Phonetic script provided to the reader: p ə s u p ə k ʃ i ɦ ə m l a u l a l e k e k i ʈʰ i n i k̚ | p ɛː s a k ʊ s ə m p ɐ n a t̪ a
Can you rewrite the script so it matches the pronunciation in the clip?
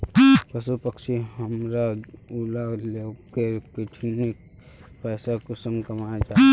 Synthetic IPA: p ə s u p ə k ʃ i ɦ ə m ɾ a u l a l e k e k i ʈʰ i n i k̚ | p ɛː s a k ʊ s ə m k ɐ m a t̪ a

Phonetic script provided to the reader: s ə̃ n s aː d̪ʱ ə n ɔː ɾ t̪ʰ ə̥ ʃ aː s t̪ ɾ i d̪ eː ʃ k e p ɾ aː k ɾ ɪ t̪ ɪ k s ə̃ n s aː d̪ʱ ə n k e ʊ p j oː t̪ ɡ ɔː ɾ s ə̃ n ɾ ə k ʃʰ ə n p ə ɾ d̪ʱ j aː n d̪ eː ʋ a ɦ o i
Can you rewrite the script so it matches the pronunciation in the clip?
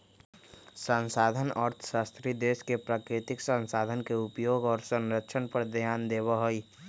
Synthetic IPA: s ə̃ n s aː d̪ʱ ə n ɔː ɾ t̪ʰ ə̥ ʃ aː s t̪ ɾ i d̪ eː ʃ k e p ɾ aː k ɾ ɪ t̪ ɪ k s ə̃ n s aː d̪ʱ ə n k e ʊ p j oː ɡ ɔː ɾ s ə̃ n ɾ ə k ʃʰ ə n p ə ɾ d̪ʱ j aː n d̪ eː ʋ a ɦ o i

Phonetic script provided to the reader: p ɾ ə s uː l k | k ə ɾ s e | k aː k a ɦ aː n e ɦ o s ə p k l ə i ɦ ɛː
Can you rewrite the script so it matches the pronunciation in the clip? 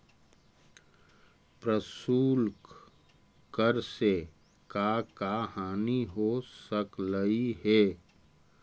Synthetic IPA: p ɾ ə s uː l k | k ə ɾ s e | k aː k a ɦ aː n i ɦ o s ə k l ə i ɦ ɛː

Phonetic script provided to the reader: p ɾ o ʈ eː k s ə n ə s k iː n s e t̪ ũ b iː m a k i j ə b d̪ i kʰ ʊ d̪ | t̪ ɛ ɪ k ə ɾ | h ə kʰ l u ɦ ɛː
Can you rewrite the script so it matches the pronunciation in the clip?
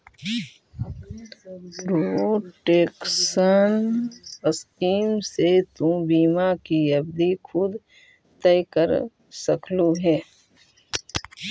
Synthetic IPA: p ɾ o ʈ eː k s ə n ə s k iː m s e t̪ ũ b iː m a k i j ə b d̪ i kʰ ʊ d̪ | t̪ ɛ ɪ k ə ɾ | s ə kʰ l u ɦ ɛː

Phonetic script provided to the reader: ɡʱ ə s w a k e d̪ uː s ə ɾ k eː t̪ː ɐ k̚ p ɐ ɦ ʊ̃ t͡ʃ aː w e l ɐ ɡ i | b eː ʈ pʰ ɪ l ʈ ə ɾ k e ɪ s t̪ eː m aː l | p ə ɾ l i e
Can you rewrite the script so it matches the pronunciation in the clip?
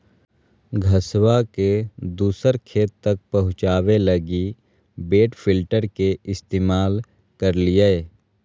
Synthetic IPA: ɡʱ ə s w a k e d̪ uː s ə ɾ kʰ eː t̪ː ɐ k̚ p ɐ ɦ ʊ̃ t͡ʃ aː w e l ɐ ɡ i | b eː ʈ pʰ ɪ l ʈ ə ɾ k e ɪ s t̪ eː m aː l | k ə ɾ l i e

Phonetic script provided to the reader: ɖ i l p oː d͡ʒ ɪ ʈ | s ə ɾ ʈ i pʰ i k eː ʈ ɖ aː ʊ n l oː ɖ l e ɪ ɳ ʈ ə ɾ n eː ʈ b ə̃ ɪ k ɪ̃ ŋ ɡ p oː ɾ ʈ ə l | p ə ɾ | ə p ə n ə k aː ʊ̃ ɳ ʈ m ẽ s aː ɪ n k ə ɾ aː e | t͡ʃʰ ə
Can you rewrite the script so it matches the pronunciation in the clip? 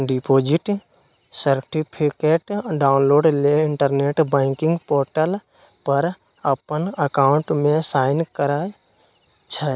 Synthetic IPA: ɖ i p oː d͡ʒ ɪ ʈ | s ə ɾ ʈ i pʰ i k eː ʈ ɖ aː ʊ n l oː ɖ l e ɪ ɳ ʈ ə ɾ n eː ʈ b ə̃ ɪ k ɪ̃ ŋ ɡ p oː ɾ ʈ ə l | p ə ɾ | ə p ə n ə k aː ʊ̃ ɳ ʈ m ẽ s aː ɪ n k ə ɾ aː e | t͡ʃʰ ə

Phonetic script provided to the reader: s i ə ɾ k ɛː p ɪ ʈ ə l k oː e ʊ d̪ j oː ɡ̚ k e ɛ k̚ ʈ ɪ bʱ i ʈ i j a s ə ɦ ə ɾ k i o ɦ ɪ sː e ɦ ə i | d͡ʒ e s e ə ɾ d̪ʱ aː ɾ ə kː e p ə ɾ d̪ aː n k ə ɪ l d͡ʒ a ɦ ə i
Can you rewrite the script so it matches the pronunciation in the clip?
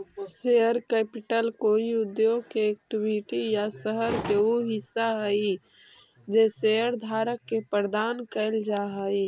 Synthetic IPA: s e ə ɾ k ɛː p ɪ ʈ ə l k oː i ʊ d̪ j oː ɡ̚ k e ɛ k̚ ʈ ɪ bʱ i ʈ i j a s ə ɦ ə ɾ k e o ɦ ɪ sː a ɦ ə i | d͡ʒ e s e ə ɾ d̪ʱ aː ɾ ə kː e p ə ɾ d̪ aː n k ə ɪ l d͡ʒ a ɦ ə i

